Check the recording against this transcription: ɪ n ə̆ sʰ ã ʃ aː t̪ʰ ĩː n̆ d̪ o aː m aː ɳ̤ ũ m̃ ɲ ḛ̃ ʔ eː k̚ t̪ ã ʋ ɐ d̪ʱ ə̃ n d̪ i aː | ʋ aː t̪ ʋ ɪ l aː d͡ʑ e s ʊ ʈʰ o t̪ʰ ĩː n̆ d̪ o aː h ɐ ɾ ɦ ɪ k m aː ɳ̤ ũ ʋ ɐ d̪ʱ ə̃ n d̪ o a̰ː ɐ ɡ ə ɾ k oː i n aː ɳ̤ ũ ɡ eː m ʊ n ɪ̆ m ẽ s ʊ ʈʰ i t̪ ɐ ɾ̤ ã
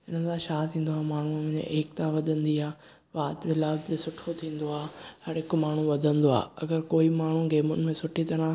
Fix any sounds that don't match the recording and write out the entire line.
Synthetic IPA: ɪ n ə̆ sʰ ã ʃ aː t̪ʰ ĩː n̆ d̪ o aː m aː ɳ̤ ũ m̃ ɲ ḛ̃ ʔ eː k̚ t̪ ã ʋ ɐ d̪ʱ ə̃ n d̪ i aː | ʋ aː t̪ ʋ ɪ l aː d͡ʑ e s ʊ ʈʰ o t̪ʰ ĩː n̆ d̪ o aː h ɐ ɾ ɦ ɪ k m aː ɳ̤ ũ ʋ ɐ d̪ʱ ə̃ n d̪ o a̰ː ɐ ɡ ə ɾ k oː i m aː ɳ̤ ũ ɡ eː m ʊ n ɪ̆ m ẽ s ʊ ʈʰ i t̪ ɐ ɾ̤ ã